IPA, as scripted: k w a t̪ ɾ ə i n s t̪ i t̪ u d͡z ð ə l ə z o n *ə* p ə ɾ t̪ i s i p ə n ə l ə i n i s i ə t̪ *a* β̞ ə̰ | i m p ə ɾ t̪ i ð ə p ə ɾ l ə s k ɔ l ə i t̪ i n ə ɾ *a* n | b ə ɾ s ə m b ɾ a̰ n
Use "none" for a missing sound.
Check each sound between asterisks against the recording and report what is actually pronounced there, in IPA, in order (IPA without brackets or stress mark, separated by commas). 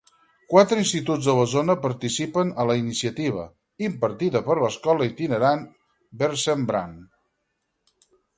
ə, i, a